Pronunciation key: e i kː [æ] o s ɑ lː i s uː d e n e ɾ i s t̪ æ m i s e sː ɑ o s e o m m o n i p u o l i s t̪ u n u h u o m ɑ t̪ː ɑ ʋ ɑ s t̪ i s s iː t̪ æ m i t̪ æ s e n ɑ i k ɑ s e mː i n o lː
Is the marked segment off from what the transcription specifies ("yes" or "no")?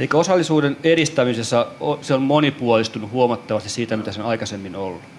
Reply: no